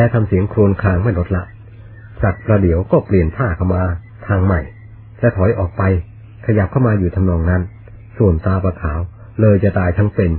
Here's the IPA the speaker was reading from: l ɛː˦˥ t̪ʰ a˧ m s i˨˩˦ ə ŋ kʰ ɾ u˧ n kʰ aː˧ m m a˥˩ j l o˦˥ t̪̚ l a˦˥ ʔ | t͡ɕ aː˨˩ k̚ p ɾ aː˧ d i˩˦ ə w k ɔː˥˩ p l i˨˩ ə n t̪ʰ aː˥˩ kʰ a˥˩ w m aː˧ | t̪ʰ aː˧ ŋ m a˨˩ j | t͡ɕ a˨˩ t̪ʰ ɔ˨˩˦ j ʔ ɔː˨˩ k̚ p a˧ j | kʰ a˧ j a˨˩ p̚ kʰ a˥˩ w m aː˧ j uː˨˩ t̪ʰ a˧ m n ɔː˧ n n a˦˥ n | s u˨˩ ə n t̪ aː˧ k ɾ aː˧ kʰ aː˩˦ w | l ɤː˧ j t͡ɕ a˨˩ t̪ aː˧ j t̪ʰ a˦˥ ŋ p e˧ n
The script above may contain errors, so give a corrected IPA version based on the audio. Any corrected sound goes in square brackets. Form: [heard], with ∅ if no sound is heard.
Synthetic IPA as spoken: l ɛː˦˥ t̪ʰ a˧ m s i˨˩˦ ə ŋ kʰ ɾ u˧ n kʰ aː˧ [ŋ] m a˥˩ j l o˦˥ t̪̚ l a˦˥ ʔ | t͡ɕ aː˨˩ k̚ p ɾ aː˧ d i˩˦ ə w k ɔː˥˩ p l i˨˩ ə n t̪ʰ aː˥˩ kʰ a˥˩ w m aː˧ | t̪ʰ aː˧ ŋ m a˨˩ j | t͡ɕ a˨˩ t̪ʰ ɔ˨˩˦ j ʔ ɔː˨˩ k̚ p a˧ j | kʰ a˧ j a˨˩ p̚ kʰ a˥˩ w m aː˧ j uː˨˩ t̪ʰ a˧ m n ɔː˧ [ŋ] n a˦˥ n | s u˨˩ ə n t̪ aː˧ [p] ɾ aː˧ kʰ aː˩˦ w | l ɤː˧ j t͡ɕ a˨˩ t̪ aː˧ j t̪ʰ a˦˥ ŋ p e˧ n